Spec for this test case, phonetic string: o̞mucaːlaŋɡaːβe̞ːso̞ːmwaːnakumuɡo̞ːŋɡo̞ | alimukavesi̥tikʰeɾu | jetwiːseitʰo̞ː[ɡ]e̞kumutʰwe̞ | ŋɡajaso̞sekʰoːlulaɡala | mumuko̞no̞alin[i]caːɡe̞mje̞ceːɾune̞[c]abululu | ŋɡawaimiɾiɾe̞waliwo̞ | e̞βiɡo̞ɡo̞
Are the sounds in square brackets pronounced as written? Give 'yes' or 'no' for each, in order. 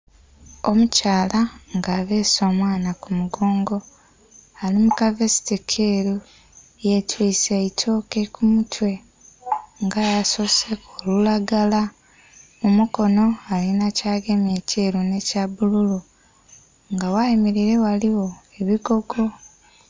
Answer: no, no, yes

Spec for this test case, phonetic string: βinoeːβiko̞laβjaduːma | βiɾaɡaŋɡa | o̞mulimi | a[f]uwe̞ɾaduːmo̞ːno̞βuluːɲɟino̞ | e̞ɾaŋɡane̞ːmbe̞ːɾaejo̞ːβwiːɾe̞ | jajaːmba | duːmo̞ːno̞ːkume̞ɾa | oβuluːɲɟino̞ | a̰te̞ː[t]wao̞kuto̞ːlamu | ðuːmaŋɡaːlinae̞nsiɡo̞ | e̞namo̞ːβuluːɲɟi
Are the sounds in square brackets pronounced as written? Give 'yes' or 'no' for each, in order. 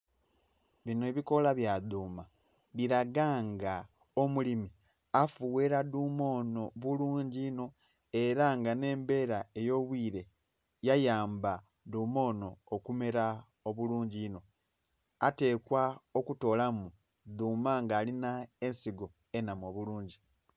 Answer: yes, no

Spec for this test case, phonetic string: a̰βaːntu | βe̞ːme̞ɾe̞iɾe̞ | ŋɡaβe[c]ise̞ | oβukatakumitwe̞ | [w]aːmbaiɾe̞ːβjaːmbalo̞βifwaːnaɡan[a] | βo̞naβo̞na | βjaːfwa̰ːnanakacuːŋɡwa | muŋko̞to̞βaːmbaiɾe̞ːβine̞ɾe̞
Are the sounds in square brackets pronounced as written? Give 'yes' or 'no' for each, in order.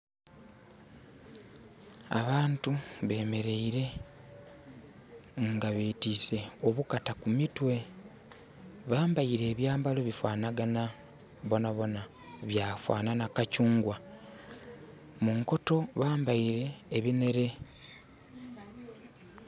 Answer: no, no, yes

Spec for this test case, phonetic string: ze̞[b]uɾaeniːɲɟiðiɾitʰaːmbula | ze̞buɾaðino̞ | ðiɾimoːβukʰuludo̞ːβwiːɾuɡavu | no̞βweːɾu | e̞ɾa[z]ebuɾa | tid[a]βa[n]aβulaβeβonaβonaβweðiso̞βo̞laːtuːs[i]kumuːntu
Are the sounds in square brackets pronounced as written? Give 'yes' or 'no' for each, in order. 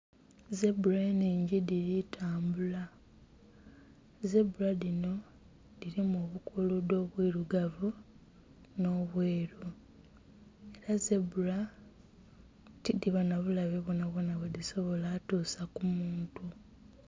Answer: yes, yes, no, yes, no

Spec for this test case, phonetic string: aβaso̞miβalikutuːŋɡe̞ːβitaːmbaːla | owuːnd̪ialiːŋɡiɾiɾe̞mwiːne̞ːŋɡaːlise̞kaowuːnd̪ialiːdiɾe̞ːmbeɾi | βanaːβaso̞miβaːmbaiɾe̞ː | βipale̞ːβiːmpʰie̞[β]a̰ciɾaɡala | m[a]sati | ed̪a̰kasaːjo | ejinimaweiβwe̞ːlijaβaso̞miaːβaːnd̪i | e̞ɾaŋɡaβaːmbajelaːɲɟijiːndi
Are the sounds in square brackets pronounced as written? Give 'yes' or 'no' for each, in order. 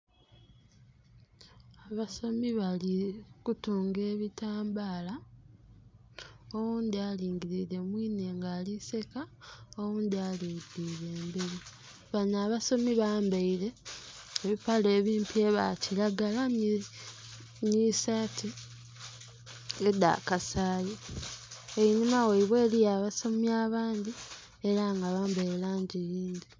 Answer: yes, no

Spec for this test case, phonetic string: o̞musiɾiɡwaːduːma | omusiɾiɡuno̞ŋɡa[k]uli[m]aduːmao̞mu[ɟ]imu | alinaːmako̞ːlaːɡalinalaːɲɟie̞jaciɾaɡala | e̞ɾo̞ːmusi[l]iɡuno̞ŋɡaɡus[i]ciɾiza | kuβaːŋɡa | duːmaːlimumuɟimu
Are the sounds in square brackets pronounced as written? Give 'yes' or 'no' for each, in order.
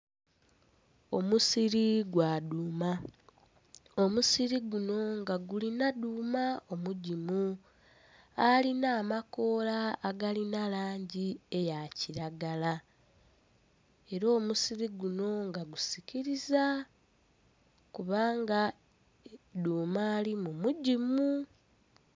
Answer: no, no, yes, no, yes

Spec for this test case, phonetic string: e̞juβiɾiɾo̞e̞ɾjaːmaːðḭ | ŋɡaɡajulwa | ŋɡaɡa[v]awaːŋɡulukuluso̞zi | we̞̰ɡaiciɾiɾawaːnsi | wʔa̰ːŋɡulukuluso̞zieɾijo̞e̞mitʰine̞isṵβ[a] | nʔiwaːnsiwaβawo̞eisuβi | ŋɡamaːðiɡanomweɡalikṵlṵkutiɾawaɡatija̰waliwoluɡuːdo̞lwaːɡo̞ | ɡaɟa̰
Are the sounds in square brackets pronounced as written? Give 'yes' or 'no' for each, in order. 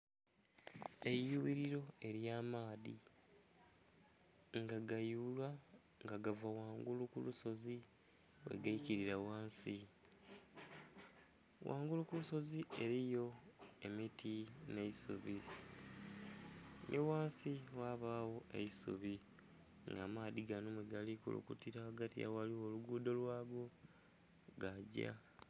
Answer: yes, no

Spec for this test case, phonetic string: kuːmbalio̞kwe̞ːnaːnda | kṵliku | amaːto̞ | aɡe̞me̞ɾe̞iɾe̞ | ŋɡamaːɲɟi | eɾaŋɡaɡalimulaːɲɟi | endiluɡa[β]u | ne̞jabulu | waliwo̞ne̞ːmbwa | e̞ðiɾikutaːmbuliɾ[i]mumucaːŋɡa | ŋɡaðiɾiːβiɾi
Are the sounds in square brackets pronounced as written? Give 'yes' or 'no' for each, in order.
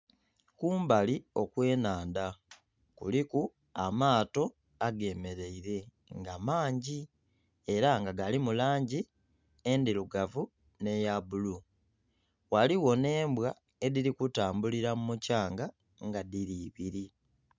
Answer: no, no

